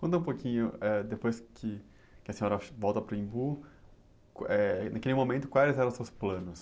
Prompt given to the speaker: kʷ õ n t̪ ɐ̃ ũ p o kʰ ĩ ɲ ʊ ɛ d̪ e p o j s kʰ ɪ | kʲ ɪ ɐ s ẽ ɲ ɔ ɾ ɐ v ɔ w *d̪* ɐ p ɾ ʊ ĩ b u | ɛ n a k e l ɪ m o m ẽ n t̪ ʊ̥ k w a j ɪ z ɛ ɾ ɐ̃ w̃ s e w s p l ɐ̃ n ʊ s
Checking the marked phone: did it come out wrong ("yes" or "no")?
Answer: yes